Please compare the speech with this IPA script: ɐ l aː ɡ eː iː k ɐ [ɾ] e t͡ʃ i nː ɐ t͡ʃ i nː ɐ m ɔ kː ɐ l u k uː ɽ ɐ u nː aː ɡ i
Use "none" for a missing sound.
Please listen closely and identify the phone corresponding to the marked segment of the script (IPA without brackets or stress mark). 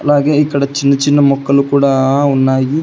ɽ